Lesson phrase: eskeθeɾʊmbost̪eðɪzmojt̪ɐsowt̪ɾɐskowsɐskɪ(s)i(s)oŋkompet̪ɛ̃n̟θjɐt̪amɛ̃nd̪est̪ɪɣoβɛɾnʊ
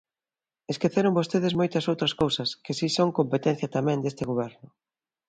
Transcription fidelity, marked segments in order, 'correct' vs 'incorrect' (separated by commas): correct, correct